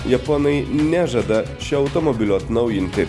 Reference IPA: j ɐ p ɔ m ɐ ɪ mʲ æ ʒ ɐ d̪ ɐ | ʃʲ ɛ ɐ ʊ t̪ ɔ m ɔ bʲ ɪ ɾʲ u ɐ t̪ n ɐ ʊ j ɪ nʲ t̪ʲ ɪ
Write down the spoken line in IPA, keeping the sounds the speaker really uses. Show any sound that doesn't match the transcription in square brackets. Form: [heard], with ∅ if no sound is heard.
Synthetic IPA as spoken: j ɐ p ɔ [n] ɐ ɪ [nʲ] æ ʒ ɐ d̪ ɐ | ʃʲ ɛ ɐ ʊ t̪ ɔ m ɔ bʲ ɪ [lʲ] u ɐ t̪ n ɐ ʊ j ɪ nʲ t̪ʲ ɪ

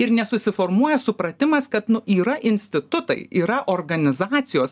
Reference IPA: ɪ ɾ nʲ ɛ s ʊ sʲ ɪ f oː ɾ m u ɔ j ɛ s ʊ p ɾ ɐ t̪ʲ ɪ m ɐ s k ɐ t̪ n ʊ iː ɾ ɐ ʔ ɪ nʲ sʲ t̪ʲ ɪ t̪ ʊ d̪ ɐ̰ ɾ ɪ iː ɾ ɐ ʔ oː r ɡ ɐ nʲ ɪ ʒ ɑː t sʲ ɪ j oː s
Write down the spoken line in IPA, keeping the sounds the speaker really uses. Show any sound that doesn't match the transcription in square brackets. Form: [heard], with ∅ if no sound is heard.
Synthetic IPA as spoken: ɪ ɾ nʲ ɛ s ʊ sʲ ɪ f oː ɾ m u ɔ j ɛ s ʊ p ɾ ɐ t̪ʲ ɪ m ɐ s k ɐ t̪ n ʊ iː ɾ ɐ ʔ ɪ nʲ sʲ t̪ʲ ɪ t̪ ʊ [t̪] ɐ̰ [∅] ɪ iː ɾ ɐ ʔ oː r ɡ ɐ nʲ ɪ [z] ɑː t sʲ ɪ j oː s

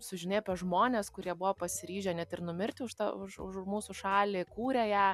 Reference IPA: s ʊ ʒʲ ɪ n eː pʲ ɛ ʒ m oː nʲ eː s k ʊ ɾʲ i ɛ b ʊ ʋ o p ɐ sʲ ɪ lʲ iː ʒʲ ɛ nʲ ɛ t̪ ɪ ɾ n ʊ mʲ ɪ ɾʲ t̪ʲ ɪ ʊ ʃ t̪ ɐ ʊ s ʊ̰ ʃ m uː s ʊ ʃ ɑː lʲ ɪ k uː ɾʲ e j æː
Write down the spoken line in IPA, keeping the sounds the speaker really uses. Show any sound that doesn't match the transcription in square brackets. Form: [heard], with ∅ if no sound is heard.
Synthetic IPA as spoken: s ʊ ʒʲ ɪ n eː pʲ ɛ ʒ m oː nʲ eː s k ʊ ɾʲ i ɛ b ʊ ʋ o p ɐ sʲ ɪ [ɾʲ] iː ʒʲ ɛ nʲ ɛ t̪ ɪ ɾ n ʊ mʲ ɪ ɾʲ t̪ʲ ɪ ʊ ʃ t̪ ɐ ʊ [ʃ] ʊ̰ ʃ m uː s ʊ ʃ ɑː lʲ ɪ k uː ɾʲ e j æː

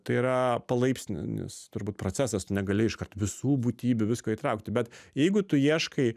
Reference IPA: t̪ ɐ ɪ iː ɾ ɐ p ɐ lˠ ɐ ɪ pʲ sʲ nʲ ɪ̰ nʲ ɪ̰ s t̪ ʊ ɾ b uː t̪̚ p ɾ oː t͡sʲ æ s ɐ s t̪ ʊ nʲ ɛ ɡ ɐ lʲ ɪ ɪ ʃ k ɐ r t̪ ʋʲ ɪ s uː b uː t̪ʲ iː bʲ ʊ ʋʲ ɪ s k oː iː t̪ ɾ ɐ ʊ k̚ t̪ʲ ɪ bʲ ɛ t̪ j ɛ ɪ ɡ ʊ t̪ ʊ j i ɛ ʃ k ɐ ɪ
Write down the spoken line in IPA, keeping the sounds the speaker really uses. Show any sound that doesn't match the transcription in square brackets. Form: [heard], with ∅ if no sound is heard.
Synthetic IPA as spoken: t̪ ɐ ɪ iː ɾ ɐ p ɐ lˠ ɐ ɪ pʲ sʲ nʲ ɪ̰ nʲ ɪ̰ s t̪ ʊ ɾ b uː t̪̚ p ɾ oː t͡sʲ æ s ɐ s t̪ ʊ nʲ ɛ ɡ ɐ lʲ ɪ ɪ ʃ k ɐ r t̪ ʋʲ ɪ s uː b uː t̪ʲ iː bʲ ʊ ʋʲ ɪ s k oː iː t̪ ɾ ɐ ʊ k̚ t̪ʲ ɪ bʲ ɛ t̪ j ɛ ɪ ɡ ʊ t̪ ʊ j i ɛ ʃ k ɐ ɪ

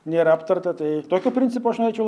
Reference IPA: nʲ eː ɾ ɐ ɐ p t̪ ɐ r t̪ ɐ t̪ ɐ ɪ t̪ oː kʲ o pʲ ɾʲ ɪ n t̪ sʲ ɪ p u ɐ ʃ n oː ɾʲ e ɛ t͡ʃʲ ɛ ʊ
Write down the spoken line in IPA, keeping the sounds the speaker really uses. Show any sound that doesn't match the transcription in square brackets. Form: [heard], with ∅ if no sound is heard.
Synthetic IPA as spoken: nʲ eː ɾ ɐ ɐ p t̪ ɐ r t̪ ɐ t̪ ɐ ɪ t̪ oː kʲ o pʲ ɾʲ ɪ n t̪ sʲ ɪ p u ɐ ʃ n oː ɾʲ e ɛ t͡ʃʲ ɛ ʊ

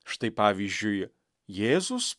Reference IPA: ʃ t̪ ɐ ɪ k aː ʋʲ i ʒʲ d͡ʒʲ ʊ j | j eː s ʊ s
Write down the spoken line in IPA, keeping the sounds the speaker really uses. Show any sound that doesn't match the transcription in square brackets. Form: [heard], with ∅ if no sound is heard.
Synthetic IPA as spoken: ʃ t̪ ɐ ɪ [p] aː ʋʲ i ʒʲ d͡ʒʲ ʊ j | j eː [z] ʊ s

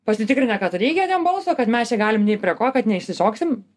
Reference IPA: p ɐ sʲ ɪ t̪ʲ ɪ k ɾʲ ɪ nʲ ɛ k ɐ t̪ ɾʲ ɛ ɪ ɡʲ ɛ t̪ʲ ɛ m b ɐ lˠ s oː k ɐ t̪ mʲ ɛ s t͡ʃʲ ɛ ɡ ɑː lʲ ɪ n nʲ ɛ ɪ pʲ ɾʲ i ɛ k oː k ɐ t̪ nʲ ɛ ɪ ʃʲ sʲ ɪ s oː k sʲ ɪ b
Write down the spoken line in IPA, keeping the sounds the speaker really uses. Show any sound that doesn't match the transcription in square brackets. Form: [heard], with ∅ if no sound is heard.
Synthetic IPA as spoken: p ɐ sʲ ɪ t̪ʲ ɪ k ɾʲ ɪ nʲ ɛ k ɐ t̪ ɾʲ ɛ ɪ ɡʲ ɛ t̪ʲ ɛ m b ɐ lˠ s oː k ɐ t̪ mʲ ɛ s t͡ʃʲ ɛ ɡ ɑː lʲ ɪ [m] nʲ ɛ ɪ pʲ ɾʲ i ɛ k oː k ɐ t̪ nʲ ɛ ɪ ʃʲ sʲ ɪ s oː k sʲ ɪ [m]

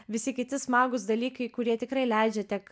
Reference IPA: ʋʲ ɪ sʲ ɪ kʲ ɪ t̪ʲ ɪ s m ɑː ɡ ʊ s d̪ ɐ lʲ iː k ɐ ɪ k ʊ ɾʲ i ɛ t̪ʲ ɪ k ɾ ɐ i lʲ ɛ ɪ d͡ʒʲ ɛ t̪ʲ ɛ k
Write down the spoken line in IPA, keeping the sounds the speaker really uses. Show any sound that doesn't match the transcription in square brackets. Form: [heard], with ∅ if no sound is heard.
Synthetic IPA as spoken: ʋʲ ɪ sʲ ɪ kʲ ɪ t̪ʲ ɪ s m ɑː ɡ ʊ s d̪ ɐ lʲ iː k ɐ ɪ k ʊ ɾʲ i ɛ t̪ʲ ɪ k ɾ ɐ [ɪ] lʲ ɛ ɪ d͡ʒʲ ɛ t̪ʲ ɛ k

